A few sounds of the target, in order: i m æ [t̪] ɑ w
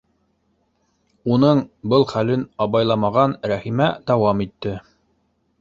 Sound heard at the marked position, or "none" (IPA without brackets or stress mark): d̪